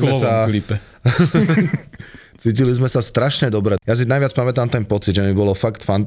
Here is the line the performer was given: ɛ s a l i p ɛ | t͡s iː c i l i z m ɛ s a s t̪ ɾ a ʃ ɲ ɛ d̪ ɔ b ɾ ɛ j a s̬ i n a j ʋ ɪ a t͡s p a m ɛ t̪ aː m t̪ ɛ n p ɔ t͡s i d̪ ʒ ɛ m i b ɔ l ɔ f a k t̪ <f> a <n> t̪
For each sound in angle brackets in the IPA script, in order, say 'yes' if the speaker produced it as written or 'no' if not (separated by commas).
yes, yes